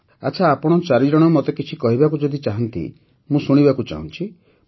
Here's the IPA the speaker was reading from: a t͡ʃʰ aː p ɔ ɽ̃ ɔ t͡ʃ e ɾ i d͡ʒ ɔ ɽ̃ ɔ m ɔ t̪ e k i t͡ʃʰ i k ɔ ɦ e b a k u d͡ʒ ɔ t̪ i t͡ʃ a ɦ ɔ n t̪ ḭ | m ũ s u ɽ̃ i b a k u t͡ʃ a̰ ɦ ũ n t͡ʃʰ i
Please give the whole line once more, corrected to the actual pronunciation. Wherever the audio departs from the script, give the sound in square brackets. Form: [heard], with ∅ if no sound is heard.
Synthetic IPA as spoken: a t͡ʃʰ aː p ɔ ɽ̃ ɔ t͡ʃ [a] ɾ i d͡ʒ ɔ ɽ̃ ɔ m ɔ t̪ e k i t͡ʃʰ i k ɔ ɦ [i] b a k u d͡ʒ ɔ [d̪] i t͡ʃ a ɦ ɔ n t̪ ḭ | m ũ s u ɽ̃ i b a k u t͡ʃ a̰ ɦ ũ n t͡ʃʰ i